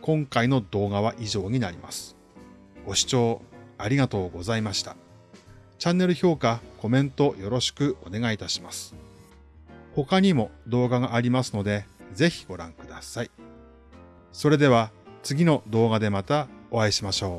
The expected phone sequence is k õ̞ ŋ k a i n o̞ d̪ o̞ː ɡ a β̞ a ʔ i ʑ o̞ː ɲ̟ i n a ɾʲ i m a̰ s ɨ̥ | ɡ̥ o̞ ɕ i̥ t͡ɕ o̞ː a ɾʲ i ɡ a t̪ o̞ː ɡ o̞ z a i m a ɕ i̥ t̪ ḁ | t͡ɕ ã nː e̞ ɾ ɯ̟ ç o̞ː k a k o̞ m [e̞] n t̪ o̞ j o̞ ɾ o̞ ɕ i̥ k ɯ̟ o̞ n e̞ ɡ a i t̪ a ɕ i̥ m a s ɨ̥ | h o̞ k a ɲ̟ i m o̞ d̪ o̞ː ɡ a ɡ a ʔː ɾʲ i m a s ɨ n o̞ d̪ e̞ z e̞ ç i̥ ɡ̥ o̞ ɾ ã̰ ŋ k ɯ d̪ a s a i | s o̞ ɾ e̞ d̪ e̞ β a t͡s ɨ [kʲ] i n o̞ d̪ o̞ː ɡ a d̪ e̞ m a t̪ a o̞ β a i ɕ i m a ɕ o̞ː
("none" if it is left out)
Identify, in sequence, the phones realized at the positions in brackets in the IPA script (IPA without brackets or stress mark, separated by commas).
ẽ̞, ɡʲ